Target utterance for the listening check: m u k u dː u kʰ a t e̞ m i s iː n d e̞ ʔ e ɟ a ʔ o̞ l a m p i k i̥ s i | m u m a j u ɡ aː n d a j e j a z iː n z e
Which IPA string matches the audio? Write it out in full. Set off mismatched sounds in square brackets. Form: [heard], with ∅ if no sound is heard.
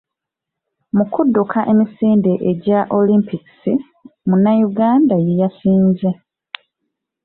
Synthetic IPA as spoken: m u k u dː u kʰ a [ʔ] e̞ m i s iː n d e̞ ʔ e ɟ a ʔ o̞ l [i] m p i k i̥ s i | m u [n] a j u ɡ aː n d a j e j a [s] iː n z e